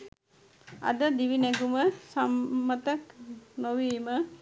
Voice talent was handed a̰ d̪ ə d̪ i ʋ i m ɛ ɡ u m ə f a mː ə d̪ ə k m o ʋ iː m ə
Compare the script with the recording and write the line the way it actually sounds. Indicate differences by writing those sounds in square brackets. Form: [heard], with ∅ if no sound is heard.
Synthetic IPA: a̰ d̪ ə d̪ i ʋ i [n] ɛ ɡ u m ə [s] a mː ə [t̪] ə k [n] o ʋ iː m ə